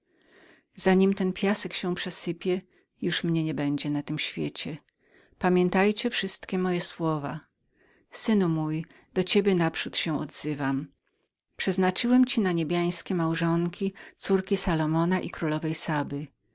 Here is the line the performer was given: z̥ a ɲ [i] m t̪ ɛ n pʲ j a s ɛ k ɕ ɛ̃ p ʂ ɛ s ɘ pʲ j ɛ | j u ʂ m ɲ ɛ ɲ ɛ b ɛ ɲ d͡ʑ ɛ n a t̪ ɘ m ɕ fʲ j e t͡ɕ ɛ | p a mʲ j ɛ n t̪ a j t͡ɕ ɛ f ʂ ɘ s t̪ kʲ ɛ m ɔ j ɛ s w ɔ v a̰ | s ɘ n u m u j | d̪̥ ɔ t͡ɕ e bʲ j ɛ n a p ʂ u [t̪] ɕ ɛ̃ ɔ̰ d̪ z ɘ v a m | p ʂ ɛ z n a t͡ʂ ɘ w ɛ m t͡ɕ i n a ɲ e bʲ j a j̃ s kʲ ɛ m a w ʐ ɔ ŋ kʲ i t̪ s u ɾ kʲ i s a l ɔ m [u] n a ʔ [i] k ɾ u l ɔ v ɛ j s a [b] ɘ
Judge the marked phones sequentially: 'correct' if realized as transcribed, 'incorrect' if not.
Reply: correct, correct, incorrect: ɔ, correct, correct

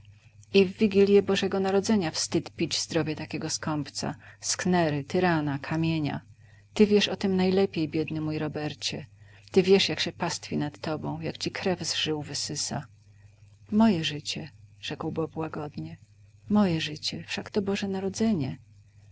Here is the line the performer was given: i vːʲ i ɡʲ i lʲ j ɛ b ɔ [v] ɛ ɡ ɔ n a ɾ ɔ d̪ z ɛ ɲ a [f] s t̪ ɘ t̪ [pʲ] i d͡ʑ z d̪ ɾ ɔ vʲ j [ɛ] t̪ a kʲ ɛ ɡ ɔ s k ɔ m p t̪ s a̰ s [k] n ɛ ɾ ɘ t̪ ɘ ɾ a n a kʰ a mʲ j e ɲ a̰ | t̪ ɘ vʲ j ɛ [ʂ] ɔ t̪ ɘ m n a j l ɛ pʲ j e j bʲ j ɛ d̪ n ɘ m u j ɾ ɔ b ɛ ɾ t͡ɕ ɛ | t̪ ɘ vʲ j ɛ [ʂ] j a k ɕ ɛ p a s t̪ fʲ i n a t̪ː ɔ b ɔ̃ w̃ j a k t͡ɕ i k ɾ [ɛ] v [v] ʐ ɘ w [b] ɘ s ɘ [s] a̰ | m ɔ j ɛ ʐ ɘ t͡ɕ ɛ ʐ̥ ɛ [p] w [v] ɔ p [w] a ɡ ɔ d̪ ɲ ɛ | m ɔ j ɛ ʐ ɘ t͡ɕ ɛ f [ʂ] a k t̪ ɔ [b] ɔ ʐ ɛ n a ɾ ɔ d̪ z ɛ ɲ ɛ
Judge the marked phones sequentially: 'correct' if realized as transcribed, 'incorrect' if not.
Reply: incorrect: ʐ, correct, correct, correct, correct, correct, correct, correct, incorrect: z, incorrect: v, correct, incorrect: k, incorrect: b, correct, correct, correct

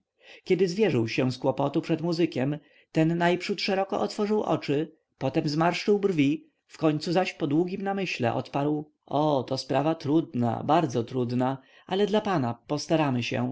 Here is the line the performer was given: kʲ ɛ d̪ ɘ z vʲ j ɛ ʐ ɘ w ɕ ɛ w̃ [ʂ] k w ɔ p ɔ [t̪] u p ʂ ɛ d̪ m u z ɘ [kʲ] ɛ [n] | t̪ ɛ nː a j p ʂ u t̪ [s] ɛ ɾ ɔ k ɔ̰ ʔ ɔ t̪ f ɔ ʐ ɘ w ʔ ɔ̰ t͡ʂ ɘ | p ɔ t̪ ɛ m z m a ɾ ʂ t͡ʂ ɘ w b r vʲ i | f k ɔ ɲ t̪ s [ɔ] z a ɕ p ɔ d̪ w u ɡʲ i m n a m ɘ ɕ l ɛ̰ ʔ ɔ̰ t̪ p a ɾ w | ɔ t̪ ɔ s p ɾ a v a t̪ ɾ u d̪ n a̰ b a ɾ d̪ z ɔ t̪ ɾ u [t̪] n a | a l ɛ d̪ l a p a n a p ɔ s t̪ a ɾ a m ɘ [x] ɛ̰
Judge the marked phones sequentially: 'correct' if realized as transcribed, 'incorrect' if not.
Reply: incorrect: s, correct, correct, incorrect: m, incorrect: ʂ, incorrect: u, incorrect: d̪, incorrect: ɕ

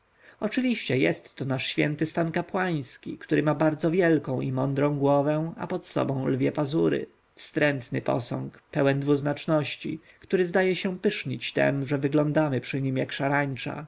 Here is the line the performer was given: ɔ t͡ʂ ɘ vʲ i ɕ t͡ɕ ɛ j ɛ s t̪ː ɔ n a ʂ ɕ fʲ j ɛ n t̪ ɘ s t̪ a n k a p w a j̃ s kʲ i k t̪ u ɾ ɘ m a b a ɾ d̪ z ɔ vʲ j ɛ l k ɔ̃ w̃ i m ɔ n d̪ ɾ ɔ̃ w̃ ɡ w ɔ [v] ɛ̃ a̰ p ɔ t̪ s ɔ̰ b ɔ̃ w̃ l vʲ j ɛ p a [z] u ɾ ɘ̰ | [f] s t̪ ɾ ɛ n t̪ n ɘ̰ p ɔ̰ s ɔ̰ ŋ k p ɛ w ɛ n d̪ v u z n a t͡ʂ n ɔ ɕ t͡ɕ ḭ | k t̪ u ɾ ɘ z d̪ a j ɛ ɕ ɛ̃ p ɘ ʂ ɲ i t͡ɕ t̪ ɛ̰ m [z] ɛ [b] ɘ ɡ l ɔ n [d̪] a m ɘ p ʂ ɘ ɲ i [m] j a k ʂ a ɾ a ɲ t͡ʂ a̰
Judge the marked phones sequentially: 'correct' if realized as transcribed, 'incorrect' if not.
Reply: correct, correct, correct, incorrect: ʐ, incorrect: v, correct, correct

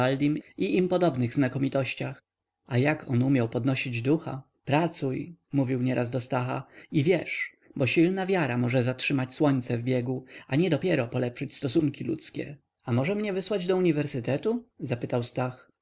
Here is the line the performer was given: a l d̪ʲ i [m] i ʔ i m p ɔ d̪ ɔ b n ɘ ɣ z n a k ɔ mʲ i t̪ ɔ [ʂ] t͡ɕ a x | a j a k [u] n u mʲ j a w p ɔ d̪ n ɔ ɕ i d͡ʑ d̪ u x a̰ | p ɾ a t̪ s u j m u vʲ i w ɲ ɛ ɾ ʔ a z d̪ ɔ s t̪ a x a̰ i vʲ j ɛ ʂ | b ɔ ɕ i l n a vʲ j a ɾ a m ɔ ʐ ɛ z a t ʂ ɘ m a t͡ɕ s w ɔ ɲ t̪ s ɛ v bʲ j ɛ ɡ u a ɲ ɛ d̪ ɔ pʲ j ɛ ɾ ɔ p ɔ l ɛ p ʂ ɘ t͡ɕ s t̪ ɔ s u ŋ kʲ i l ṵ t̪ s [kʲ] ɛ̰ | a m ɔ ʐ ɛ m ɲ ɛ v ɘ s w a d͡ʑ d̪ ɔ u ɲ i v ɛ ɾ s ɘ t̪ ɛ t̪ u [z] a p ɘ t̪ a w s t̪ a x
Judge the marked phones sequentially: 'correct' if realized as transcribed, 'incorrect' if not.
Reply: correct, incorrect: ɕ, incorrect: ɔ, correct, correct

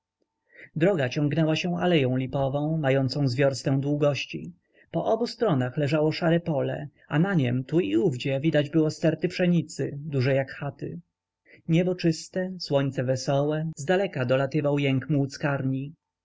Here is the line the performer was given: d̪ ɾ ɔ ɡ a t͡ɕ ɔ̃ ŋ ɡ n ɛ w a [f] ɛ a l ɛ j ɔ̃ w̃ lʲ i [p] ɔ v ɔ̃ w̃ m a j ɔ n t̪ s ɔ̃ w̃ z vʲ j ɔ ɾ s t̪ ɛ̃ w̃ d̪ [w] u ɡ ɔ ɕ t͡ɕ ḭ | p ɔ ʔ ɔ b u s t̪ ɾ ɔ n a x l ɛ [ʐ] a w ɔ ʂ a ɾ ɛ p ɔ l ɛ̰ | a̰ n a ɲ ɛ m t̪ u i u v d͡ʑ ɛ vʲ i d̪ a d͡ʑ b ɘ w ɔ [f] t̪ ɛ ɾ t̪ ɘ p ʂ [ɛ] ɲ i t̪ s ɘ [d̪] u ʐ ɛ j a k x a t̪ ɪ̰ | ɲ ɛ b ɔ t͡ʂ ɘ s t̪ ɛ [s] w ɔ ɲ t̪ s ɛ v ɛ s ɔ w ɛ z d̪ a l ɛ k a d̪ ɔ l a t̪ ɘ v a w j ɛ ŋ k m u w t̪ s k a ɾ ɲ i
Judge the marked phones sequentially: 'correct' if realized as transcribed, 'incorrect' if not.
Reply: incorrect: ɕ, correct, correct, correct, incorrect: s, correct, correct, correct

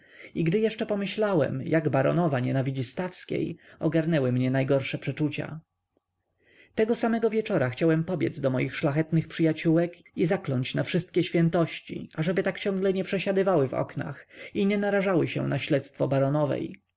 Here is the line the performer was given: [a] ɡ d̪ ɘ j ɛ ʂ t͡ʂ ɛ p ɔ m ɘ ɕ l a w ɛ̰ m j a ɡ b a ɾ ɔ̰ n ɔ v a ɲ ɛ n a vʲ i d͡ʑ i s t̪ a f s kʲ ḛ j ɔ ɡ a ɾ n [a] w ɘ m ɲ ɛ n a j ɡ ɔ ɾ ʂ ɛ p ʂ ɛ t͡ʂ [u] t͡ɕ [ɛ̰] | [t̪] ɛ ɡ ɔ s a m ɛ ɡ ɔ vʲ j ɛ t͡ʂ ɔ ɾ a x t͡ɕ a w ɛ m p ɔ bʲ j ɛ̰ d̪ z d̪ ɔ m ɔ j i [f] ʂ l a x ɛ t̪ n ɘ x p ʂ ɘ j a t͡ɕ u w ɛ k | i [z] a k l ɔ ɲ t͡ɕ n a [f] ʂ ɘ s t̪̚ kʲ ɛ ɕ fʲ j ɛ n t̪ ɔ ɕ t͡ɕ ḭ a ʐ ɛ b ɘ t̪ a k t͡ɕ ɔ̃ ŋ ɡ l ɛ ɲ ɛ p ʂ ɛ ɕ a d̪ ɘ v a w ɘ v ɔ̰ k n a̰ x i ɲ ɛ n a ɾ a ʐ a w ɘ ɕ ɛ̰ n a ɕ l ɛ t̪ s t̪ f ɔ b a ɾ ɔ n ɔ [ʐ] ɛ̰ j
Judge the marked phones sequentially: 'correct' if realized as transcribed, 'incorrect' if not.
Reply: incorrect: i, incorrect: ɛ, correct, incorrect: a̰, correct, incorrect: x, correct, correct, incorrect: v

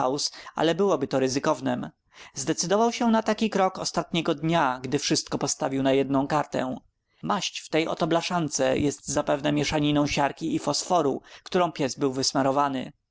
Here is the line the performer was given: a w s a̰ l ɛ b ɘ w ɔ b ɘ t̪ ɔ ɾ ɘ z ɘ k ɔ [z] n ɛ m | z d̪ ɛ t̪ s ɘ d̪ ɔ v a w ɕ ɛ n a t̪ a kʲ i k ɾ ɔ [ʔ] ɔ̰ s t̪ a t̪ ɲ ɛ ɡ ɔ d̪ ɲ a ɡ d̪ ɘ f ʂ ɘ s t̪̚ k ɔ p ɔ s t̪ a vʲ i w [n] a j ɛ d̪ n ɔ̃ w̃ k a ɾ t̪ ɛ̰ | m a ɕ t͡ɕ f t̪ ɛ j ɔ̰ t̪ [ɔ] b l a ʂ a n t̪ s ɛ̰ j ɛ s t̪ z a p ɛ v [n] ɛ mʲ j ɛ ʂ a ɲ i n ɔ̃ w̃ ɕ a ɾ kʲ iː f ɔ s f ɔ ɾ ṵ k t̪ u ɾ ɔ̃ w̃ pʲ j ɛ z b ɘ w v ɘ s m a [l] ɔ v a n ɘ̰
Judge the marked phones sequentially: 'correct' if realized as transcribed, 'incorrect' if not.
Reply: incorrect: v, incorrect: k, correct, correct, correct, incorrect: ɾ

